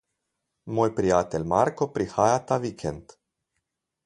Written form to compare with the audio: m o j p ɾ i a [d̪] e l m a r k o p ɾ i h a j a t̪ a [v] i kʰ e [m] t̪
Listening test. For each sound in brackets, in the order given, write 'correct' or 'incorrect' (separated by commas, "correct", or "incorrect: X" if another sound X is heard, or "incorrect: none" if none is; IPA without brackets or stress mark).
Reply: incorrect: t̪, correct, incorrect: n